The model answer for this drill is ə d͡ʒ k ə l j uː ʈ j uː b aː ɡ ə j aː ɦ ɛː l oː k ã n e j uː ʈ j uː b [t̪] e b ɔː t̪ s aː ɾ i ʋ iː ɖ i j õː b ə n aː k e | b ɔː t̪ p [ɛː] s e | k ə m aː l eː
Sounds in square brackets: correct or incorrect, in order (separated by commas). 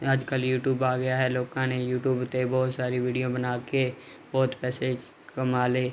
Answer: correct, correct